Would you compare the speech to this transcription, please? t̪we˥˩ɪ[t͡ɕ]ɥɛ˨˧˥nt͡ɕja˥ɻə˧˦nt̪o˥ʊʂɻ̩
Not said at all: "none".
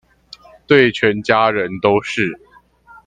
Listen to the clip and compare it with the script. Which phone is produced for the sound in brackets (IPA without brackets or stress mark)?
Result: t͡ɕʰ